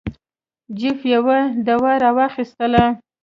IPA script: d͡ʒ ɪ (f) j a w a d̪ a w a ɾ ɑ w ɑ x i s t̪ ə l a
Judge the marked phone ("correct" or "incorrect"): correct